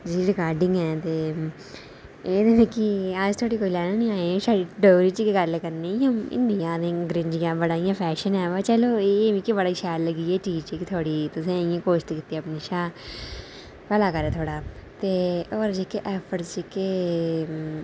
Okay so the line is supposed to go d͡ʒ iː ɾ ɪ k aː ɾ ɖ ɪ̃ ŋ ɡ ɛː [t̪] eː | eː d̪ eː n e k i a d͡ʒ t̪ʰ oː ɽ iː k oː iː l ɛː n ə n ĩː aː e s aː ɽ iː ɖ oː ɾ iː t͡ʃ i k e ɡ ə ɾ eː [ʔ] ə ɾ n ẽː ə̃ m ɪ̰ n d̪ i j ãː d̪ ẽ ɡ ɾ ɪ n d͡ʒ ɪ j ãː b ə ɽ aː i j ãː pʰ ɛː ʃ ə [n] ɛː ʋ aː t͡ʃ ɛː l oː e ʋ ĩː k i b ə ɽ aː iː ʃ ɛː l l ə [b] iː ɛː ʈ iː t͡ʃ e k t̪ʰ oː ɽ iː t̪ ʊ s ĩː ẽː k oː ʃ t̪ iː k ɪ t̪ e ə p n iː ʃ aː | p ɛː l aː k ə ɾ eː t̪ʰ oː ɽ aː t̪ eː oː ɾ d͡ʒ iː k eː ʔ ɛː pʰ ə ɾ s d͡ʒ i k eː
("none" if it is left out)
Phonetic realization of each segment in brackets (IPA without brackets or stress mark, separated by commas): t̪, k, n, ɡ